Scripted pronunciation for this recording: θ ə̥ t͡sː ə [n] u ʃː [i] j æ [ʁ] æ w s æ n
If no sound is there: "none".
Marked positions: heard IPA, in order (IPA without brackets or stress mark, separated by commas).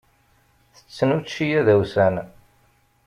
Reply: n, i, ð